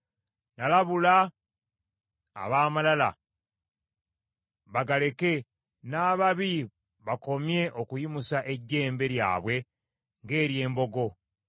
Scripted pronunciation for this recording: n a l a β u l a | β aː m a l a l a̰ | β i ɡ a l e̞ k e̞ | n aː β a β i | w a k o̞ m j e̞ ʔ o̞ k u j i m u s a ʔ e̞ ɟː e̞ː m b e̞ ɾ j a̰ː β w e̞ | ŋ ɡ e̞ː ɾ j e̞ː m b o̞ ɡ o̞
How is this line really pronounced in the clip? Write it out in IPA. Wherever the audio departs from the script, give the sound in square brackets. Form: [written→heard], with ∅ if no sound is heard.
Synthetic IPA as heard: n a l a β u l a | β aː m a l a l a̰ | β [i→a] ɡ a l e̞ k e̞ | n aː β a β i | [w→β] a k o̞ m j e̞ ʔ o̞ k u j i m u s a ʔ e̞ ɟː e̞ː m b e̞ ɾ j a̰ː β w e̞ | ŋ ɡ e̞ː ɾ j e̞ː m b o̞ ɡ o̞